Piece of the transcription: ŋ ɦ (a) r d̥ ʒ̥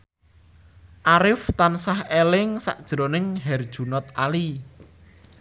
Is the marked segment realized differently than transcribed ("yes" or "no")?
yes